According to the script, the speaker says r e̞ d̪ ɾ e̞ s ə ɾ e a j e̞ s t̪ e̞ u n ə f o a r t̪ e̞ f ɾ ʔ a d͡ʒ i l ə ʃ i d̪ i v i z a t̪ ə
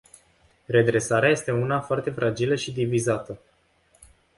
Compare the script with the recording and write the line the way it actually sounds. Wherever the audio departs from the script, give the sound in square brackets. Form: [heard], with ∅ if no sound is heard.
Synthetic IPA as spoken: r e̞ d̪ ɾ e̞ s [a] ɾ e a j e̞ s t̪ e̞ u n [a] f o a r t̪ e̞ f ɾ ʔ a d͡ʒ i l ə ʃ i d̪ i v i z a t̪ ə

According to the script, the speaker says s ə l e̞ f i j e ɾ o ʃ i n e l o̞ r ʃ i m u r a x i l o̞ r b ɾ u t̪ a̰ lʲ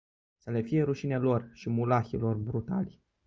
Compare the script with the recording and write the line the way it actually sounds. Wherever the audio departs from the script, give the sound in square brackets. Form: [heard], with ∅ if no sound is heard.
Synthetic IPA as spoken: s ə l e̞ f i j e ɾ [u] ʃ i n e l o̞ r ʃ i m u [l] a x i l o̞ r b ɾ u t̪ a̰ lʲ

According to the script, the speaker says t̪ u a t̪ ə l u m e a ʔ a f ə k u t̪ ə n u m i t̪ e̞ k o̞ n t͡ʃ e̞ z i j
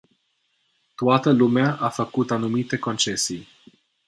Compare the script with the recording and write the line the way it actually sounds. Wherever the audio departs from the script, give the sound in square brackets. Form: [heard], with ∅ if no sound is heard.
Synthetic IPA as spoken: t̪ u a t̪ ə l u m e a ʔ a f ə k u t̪ [a] n u m i t̪ e̞ k o̞ n t͡ʃ e̞ [s] i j

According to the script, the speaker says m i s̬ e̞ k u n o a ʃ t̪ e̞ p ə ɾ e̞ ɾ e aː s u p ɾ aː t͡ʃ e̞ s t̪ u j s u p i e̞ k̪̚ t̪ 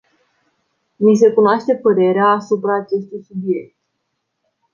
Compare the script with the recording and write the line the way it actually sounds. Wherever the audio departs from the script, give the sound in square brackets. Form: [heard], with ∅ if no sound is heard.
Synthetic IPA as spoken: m i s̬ e̞ k u n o a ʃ t̪ e̞ p ə ɾ e̞ ɾ e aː s u p ɾ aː t͡ʃ e̞ s t̪ u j s u [b] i e̞ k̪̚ t̪

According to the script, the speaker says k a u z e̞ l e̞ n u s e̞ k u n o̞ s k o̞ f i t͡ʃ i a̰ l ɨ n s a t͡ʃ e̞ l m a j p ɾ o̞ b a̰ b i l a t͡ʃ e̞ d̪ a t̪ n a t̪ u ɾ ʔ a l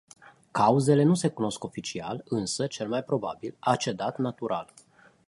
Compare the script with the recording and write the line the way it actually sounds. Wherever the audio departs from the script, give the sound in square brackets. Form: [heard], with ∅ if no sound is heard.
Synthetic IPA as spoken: k a u z e̞ l e̞ n u s e̞ k u n o̞ s k o̞ f i t͡ʃ i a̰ l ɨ n s [ə] t͡ʃ e̞ l m a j p ɾ o̞ b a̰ b i l a t͡ʃ e̞ d̪ a t̪ n a t̪ u ɾ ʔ a l

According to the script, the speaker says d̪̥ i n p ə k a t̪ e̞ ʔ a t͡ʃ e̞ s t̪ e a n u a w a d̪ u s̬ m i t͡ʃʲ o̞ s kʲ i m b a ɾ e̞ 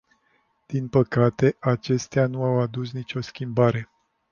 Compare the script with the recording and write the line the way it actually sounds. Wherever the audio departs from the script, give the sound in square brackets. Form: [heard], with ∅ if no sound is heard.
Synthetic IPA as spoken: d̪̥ i n p ə k a t̪ e̞ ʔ a t͡ʃ e̞ s t̪ e a n u a w a d̪ u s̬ [n] i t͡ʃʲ o̞ s kʲ i m b a ɾ e̞

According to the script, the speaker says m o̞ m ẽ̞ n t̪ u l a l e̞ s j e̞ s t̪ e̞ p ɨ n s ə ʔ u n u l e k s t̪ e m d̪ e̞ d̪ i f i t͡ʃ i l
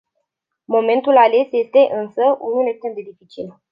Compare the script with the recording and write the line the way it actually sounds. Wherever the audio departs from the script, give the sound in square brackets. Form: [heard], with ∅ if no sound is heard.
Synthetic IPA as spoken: m o̞ m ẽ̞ n t̪ u l a l e̞ s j e̞ s t̪ e̞ [ʔ] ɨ n s ə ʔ u n u l e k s t̪ e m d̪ e̞ d̪ i f i t͡ʃ i l

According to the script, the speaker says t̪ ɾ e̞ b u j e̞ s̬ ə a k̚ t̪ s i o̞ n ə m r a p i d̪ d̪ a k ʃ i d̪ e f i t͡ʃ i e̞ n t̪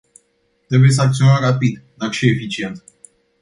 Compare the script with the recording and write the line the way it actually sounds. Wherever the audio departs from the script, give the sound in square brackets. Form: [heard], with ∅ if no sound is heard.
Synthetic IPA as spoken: t̪ ɾ e̞ b u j e̞ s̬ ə a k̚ t̪ s i o̞ n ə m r a p i d̪ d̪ a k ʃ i [∅] e f i t͡ʃ i e̞ n t̪

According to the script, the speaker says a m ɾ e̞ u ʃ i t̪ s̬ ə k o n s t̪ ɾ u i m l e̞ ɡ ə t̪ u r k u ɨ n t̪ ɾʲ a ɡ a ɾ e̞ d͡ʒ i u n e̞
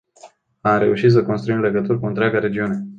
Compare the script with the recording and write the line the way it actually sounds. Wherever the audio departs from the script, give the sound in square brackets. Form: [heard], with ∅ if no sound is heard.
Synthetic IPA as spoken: a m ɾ e̞ u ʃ i t̪ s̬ ə k o n s t̪ ɾ u i m l e̞ ɡ ə t̪ u r k u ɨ n t̪ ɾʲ a ɡ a ɾ e̞ d͡ʒ i u n e̞

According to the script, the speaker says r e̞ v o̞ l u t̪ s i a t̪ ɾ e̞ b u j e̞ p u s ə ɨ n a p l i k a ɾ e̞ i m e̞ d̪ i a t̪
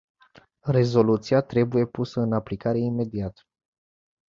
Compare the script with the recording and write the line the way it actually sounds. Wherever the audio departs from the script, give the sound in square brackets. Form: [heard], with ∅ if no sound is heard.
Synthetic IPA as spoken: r e̞ [z] o̞ l u t̪ s i a t̪ ɾ e̞ b u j e̞ p u s ə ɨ n a p l i k a ɾ e̞ i m e̞ d̪ i a t̪

